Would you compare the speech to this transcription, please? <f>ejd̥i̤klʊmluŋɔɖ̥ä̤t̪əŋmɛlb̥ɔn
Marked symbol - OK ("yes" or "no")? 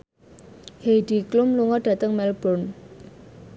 no